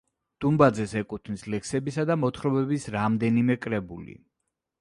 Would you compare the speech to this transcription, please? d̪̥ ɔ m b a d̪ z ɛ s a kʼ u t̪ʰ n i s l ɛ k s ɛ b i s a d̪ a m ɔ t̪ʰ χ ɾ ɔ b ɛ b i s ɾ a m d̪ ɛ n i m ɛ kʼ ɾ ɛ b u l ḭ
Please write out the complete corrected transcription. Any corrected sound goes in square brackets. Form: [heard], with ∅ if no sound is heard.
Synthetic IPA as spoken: d̪̥ [u] m b a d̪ z ɛ s [ɛ] kʼ u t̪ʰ n i s l ɛ k s ɛ b i s a d̪ a m ɔ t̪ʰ χ ɾ ɔ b ɛ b i s ɾ a m d̪ ɛ n i m ɛ kʼ ɾ ɛ b u l ḭ